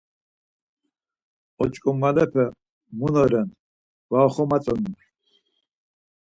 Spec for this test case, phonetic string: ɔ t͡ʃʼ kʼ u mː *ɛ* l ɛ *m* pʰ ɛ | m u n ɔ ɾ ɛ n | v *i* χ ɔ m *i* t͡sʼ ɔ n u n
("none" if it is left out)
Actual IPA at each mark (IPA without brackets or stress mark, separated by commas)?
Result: a, none, a, a